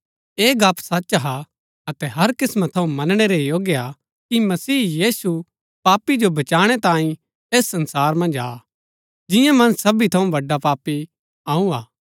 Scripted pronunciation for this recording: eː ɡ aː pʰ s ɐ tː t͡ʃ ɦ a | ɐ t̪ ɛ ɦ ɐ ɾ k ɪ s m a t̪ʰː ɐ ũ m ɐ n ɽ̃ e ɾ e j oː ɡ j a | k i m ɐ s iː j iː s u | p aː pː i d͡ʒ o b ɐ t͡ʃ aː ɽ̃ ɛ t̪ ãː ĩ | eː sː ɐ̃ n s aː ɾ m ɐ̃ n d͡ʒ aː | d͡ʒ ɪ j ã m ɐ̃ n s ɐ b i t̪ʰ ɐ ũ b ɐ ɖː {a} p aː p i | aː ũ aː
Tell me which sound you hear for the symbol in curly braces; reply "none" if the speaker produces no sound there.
a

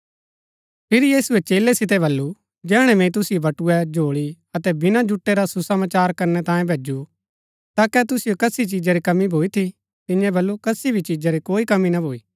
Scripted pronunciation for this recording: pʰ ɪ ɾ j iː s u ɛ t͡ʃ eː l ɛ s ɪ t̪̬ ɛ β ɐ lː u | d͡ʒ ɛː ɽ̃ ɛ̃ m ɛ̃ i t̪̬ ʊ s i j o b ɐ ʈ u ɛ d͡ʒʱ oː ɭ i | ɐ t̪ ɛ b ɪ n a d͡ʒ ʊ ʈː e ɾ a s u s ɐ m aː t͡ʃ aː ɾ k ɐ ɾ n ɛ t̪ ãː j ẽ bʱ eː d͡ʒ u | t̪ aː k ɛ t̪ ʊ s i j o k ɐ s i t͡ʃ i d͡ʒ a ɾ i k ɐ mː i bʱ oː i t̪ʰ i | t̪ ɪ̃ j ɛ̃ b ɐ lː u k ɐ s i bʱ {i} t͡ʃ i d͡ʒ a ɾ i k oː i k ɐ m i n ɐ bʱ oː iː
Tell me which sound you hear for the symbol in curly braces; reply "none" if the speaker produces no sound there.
i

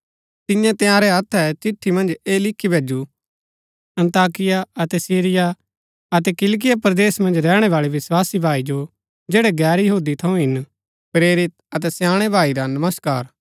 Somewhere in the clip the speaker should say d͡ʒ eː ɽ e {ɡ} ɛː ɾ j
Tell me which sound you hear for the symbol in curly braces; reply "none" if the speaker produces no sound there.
ɡ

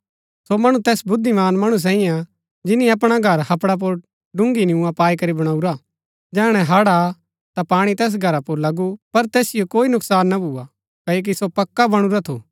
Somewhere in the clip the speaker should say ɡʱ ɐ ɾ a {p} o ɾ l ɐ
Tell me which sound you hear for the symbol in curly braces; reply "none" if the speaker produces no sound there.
p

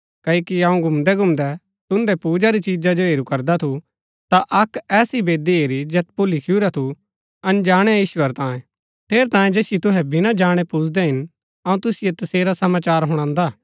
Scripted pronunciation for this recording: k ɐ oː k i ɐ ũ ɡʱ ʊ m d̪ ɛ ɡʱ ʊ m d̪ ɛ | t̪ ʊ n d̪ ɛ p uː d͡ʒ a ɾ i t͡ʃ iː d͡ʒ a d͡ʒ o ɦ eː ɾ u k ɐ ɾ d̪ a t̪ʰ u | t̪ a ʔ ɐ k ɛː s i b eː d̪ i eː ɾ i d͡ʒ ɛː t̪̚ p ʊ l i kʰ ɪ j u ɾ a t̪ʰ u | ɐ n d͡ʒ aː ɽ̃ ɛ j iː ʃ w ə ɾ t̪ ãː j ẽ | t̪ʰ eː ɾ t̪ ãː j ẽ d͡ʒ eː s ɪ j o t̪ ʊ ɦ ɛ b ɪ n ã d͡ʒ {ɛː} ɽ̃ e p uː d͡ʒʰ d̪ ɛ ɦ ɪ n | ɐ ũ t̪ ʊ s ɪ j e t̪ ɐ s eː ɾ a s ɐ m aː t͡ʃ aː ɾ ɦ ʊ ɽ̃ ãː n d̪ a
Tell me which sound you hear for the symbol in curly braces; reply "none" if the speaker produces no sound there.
aː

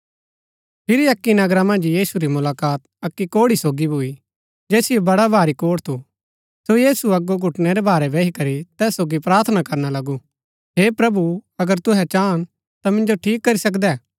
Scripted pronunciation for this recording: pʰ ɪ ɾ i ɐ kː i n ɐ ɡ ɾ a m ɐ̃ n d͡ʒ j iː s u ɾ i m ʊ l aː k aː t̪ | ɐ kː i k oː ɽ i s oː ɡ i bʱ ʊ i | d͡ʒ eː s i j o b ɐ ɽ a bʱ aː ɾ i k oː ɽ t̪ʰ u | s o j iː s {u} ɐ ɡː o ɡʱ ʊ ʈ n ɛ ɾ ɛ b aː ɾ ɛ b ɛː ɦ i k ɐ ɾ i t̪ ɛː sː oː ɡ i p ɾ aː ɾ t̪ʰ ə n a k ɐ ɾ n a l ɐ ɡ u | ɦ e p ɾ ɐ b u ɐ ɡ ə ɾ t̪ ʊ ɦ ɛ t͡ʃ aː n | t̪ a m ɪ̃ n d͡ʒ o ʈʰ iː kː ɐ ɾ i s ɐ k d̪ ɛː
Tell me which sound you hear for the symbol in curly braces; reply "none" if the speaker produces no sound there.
u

